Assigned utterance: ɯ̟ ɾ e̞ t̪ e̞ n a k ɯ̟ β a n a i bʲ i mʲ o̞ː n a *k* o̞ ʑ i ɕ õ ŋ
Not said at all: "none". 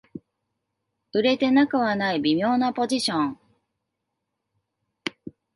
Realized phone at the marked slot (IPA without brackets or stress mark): p